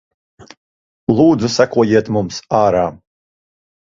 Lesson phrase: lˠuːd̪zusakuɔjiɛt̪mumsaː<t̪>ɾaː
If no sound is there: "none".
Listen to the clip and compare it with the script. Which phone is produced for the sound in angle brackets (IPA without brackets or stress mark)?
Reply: none